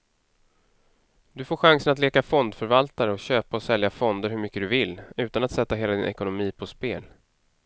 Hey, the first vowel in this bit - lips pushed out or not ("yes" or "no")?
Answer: yes